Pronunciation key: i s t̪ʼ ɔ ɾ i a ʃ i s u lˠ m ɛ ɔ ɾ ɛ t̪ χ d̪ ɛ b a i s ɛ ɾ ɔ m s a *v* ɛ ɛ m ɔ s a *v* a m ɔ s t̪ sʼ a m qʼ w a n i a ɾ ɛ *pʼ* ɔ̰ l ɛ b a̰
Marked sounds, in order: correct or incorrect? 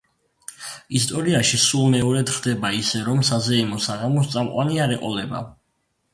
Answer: incorrect, incorrect, incorrect

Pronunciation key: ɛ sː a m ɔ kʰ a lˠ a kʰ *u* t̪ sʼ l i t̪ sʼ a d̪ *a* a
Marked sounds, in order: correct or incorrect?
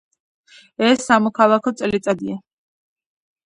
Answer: incorrect, incorrect

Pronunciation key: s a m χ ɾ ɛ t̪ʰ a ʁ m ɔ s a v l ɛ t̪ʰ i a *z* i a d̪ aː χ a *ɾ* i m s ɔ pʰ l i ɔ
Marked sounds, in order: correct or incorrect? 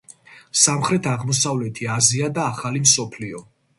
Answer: correct, incorrect

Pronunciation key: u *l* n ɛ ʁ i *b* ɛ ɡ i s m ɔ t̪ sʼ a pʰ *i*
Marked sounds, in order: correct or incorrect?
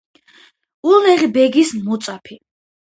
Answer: correct, correct, correct

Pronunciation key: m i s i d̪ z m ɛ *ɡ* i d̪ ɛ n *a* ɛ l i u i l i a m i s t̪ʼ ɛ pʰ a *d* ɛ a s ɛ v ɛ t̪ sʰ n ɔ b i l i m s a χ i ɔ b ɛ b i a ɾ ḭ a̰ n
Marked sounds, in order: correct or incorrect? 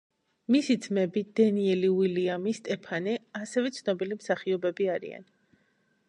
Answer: incorrect, incorrect, incorrect

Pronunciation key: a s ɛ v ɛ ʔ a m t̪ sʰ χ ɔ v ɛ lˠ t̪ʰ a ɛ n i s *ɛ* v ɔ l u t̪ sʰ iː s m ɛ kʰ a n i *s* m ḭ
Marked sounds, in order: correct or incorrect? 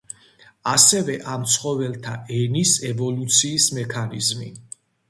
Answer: correct, incorrect

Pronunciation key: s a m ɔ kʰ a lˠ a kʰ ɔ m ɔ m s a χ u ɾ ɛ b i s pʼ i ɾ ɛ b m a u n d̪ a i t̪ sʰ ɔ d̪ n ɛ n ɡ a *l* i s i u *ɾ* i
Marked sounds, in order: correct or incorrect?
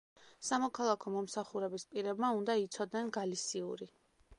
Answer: correct, correct

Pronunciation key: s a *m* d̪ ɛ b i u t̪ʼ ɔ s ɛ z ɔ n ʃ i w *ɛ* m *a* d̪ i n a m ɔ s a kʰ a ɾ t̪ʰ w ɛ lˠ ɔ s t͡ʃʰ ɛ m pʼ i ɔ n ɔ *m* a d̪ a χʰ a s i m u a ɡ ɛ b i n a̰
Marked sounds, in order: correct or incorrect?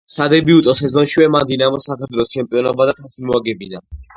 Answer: incorrect, correct, correct, incorrect

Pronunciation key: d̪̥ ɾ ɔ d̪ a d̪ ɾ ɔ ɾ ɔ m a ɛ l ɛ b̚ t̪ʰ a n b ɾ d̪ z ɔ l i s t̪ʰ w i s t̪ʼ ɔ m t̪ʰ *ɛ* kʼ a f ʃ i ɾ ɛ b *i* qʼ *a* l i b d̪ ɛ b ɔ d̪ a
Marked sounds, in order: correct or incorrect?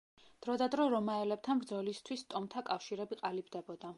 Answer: incorrect, correct, correct

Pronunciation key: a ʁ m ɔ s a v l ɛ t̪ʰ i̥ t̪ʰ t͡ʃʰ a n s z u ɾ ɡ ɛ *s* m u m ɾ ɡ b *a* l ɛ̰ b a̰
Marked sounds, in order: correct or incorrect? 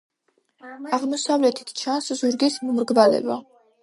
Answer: correct, correct

